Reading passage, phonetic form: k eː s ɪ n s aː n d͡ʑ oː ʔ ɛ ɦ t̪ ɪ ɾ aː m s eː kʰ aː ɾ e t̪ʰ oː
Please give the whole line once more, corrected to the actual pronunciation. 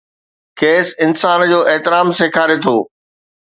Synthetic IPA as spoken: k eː s ɪ n s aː n d͡ʑ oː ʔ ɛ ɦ t̪ ɪ ɾ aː m s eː kʰ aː ɾ e t̪ʰ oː